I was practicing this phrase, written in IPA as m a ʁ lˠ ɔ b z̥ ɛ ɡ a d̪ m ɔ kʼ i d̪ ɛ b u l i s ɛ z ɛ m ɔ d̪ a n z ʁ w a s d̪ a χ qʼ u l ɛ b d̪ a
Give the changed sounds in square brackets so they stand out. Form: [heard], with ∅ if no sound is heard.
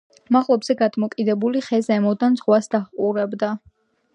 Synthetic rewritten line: m a ʁ lˠ ɔ b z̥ ɛ ɡ a d̪ m ɔ kʼ i d̪ ɛ b u l i [χ] ɛ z ɛ m ɔ d̪ a n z ʁ w a s d̪ a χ qʼ u [ɾ] ɛ b d̪ a